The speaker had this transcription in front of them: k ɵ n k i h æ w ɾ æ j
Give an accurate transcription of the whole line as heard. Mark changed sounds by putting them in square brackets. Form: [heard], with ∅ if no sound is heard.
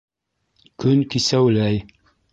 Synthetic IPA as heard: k ɵ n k i [s] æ w [l] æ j